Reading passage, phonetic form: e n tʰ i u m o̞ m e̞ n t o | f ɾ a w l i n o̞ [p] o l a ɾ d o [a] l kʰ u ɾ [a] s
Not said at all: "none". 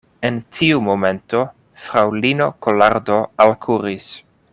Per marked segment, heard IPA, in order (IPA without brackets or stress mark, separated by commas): k, a, i